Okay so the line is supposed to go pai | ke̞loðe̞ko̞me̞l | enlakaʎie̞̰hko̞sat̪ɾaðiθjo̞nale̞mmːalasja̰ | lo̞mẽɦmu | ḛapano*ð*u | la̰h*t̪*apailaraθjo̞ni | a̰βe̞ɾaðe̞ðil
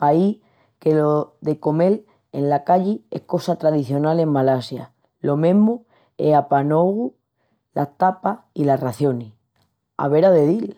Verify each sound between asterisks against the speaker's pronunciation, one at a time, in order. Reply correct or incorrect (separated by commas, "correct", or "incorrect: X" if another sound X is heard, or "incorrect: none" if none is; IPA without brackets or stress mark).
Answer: incorrect: ɣ, correct